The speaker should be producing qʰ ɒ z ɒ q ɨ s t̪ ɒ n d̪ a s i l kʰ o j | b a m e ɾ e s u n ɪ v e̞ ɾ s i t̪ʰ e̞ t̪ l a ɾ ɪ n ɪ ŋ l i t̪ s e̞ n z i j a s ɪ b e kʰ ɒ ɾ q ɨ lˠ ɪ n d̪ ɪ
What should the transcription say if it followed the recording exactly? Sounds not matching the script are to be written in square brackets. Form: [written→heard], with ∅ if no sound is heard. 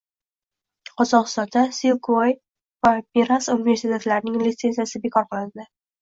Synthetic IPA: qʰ ɒ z ɒ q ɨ s t̪ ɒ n d̪ a s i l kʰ o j | [b→v] a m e ɾ [e→a] s u n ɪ v e̞ ɾ s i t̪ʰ e̞ t̪ l a ɾ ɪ n ɪ ŋ l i t̪ s e̞ n z i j a s ɪ b e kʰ ɒ ɾ q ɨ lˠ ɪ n d̪ ɪ